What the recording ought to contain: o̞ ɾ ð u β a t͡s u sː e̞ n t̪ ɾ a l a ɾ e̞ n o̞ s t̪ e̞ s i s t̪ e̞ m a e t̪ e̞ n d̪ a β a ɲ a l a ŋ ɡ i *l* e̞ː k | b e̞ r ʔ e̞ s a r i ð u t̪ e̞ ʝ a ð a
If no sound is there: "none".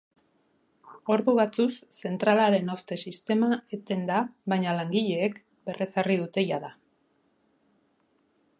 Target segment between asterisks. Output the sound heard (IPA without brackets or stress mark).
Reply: ʎ